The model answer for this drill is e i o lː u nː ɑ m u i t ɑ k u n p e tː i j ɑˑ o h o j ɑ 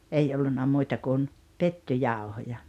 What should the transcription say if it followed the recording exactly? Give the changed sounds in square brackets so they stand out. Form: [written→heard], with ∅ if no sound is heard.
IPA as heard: e i o lː u nː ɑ m u i t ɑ k u n p e tː [i→y] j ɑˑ o h o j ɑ